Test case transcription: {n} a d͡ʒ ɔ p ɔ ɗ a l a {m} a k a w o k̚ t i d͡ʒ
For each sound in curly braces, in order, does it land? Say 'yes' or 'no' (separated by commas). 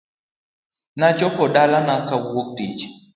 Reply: yes, no